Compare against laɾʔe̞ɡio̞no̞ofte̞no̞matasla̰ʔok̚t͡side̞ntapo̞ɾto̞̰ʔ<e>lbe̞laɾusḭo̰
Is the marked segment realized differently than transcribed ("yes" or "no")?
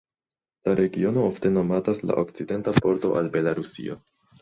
yes